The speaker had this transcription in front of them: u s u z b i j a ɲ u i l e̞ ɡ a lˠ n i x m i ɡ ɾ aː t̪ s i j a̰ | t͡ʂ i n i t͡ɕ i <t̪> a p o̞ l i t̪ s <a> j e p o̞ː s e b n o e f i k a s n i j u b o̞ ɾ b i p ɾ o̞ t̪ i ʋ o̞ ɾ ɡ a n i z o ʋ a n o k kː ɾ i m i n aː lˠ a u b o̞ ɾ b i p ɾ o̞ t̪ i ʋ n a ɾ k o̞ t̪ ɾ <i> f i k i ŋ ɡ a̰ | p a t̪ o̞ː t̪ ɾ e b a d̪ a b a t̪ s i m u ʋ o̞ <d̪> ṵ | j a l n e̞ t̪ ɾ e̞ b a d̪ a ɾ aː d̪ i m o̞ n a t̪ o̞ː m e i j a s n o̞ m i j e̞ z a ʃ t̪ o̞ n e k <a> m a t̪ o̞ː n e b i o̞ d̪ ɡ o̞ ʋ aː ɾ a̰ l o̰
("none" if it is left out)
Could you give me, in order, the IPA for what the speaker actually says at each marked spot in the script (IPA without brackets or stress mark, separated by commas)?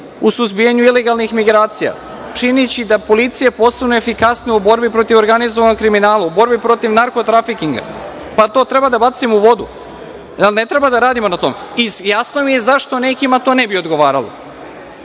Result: d̪, i, a, d̪, i